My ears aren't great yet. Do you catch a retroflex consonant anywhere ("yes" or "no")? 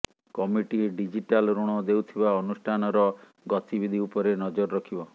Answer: yes